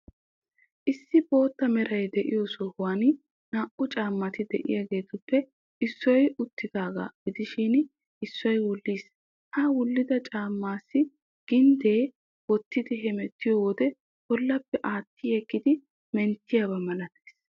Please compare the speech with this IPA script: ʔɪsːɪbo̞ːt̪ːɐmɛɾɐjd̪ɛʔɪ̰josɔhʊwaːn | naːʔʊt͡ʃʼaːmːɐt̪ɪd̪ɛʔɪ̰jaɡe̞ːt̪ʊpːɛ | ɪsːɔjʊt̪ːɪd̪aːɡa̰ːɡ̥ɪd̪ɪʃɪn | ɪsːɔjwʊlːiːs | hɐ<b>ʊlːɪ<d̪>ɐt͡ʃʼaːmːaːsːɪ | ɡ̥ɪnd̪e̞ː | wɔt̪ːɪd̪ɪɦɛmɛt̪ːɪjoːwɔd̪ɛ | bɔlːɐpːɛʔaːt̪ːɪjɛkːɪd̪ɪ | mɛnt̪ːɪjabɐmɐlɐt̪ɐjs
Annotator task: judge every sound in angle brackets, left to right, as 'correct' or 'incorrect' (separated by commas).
incorrect, correct